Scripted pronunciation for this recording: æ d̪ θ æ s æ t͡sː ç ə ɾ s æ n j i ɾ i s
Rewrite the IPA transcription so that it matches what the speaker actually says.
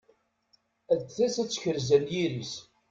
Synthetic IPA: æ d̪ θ æ s æ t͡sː ç ə ɾ z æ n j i ɾ i s